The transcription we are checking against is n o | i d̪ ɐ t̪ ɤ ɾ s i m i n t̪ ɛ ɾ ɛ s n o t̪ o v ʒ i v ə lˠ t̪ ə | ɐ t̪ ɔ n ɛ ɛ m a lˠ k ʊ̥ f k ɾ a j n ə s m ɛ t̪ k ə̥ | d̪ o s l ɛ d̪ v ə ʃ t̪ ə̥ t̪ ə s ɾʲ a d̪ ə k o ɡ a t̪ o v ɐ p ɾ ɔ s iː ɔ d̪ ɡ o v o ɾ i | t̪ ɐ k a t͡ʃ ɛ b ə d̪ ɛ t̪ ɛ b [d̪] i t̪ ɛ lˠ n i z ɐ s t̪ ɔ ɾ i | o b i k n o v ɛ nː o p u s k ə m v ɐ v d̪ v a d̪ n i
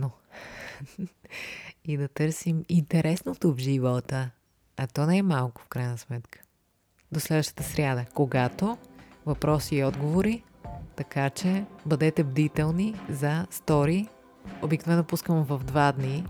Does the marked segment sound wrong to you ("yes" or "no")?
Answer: no